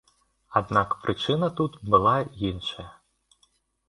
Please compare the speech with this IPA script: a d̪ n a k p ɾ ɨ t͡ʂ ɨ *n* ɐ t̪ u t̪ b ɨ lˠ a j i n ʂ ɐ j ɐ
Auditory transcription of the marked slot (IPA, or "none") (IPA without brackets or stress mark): n